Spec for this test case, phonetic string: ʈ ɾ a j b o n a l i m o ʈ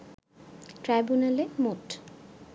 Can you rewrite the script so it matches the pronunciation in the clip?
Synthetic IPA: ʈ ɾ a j b u n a l e m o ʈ